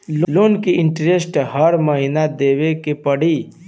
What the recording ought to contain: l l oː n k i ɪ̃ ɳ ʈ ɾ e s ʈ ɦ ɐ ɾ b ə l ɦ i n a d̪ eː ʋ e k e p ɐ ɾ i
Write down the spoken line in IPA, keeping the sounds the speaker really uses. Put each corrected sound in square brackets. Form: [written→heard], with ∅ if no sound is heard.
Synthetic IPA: l l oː n k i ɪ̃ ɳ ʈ ɾ e s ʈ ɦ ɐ ɾ [b→m] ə [l→∅] ɦ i n a d̪ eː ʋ e k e p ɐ [ɾ→ɽ] i